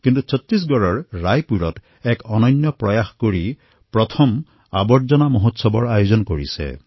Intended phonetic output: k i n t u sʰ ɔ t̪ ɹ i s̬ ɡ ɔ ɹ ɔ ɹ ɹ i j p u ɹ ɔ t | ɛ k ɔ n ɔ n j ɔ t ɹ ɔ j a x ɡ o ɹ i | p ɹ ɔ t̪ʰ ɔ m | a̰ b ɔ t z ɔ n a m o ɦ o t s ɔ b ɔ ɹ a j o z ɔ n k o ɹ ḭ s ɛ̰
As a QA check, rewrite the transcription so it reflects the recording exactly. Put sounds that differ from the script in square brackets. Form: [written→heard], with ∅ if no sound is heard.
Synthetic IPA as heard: k i n t u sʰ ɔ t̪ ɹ i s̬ ɡ ɔ ɹ ɔ ɹ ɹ [i→a] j p u ɹ ɔ t | ɛ k ɔ n ɔ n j ɔ [t→p] ɹ ɔ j a x [ɡ→k] o ɹ i | p ɹ ɔ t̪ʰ ɔ m | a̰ b ɔ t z ɔ n a m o ɦ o t s ɔ b ɔ ɹ a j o z ɔ n k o ɹ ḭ s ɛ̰

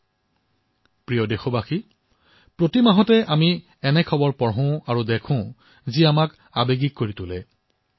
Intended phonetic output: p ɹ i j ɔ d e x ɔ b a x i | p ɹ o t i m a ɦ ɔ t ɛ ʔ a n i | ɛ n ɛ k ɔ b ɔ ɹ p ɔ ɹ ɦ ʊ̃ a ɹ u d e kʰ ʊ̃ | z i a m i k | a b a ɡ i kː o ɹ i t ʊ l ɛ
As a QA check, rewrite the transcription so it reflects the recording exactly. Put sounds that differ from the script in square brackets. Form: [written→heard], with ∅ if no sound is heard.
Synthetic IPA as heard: p ɹ i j ɔ d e x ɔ b a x i | p ɹ o t i m a ɦ ɔ t ɛ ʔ a [n→m] i | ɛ n ɛ [k→kʰ] ɔ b ɔ ɹ p ɔ ɹ ɦ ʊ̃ a ɹ u d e kʰ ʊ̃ | z i a m [i→a] k | a b [a→e] ɡ i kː o ɹ i t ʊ l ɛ

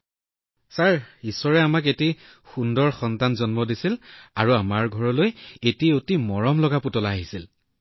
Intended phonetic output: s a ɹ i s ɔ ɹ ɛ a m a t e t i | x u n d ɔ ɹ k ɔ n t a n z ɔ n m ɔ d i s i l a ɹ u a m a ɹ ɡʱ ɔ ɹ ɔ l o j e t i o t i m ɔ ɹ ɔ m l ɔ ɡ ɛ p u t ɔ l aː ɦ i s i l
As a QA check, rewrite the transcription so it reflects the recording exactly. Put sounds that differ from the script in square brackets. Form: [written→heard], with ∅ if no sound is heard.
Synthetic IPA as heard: s a ɹ i s ɔ ɹ ɛ a m a [t→k] e t i | x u n d ɔ ɹ [k→x] ɔ n t a n z ɔ n m ɔ d i s i l a ɹ u a m a ɹ ɡʱ ɔ ɹ ɔ l o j e t i o t i m ɔ ɹ ɔ m l ɔ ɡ [ɛ→a] p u t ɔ l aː ɦ i s i l

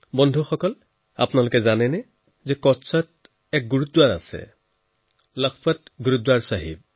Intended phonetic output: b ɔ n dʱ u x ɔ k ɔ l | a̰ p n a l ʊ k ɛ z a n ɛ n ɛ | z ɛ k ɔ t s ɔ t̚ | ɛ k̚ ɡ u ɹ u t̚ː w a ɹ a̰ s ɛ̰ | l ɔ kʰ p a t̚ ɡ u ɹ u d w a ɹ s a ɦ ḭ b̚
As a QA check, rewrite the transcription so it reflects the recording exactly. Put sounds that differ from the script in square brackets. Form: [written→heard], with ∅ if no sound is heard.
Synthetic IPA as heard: b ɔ n dʱ u x ɔ k ɔ l | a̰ p n a l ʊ k ɛ z a n ɛ n ɛ | z ɛ k ɔ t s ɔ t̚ | ɛ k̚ ɡ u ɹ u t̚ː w a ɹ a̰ s ɛ̰ | l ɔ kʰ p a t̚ ɡ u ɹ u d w a ɹ s a ɦ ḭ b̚

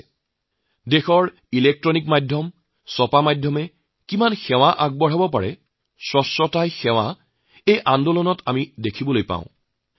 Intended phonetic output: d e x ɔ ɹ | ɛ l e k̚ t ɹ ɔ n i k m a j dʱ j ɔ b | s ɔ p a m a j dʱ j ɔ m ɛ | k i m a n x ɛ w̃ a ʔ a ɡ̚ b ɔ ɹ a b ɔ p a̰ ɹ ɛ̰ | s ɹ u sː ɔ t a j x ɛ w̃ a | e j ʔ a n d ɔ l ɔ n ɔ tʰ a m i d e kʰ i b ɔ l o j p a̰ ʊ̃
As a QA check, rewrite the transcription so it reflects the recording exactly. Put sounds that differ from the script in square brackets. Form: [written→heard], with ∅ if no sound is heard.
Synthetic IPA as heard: d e x ɔ ɹ | [ɛ→i] l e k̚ t ɹ ɔ n i k m a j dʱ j ɔ [b→m] | s ɔ p a m a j dʱ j ɔ m ɛ | k i m a n x ɛ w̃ a ʔ a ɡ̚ b ɔ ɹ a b ɔ p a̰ ɹ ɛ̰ | s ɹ [u→ɔ] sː ɔ t a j x ɛ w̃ a | e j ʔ a n d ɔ l ɔ n ɔ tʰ a m i d e kʰ i b ɔ l o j p a̰ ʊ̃

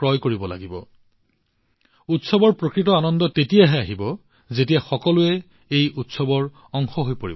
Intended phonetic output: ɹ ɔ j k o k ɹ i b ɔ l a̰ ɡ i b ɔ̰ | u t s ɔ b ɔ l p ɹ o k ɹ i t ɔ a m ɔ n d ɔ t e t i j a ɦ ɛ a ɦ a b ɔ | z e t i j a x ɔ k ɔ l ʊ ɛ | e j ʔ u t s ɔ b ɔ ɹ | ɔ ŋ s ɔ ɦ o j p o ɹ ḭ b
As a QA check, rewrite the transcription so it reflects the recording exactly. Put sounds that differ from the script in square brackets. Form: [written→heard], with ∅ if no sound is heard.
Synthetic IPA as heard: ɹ ɔ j k o [k→∅] ɹ i b ɔ l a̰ ɡ i b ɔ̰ | u t s ɔ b ɔ [l→ɹ] p ɹ o k ɹ i t ɔ a [m→n] ɔ n d ɔ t e t i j a ɦ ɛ a ɦ [a→i] b ɔ | z e t i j a x ɔ k ɔ l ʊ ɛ | e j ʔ u t s ɔ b ɔ ɹ | ɔ ŋ [s→x] ɔ ɦ o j p o ɹ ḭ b

